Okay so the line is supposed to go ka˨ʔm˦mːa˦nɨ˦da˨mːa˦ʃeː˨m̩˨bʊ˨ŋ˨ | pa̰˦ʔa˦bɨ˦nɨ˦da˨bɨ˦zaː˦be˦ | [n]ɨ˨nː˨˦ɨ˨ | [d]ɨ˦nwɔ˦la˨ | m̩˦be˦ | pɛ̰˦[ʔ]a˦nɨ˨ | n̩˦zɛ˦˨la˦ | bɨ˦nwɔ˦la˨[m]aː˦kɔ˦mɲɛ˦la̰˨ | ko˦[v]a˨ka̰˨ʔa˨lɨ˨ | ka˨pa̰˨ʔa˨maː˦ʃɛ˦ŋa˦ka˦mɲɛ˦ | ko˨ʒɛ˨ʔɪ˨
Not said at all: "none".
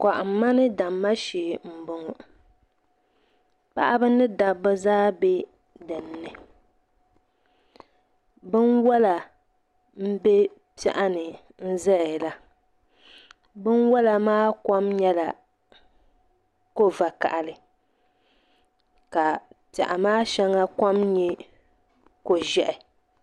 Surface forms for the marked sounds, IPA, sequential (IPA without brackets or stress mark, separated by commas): d, b, ʔ, m, v